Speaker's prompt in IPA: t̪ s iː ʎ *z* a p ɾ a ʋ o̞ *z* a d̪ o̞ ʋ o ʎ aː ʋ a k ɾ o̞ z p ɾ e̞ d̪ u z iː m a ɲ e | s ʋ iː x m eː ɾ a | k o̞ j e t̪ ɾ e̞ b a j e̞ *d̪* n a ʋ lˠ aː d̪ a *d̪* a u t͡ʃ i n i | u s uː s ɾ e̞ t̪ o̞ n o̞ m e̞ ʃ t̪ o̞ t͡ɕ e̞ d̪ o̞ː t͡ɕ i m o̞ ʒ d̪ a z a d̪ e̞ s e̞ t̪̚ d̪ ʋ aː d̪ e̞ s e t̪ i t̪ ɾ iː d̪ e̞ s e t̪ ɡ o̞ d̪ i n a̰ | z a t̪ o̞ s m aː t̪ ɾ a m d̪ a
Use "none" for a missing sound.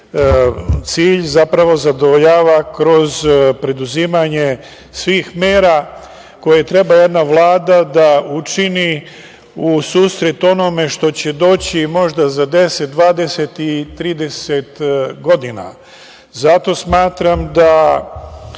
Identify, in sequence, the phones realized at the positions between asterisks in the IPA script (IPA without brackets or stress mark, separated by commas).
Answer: z, z, d̪, d̪